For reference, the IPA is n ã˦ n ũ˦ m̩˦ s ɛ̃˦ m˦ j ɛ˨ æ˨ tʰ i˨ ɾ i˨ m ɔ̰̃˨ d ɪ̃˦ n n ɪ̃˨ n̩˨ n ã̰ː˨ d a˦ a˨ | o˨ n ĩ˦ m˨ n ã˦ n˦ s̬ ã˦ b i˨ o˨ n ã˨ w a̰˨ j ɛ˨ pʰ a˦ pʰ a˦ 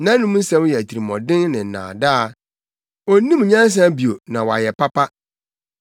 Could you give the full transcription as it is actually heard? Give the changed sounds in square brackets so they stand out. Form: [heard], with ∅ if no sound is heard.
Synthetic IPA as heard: n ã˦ n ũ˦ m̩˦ s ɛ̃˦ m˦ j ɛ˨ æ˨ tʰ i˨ ɾ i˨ m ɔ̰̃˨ d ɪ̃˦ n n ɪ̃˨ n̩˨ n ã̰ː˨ d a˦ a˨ | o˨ n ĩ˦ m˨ [ɲ] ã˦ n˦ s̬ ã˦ b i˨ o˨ n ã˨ w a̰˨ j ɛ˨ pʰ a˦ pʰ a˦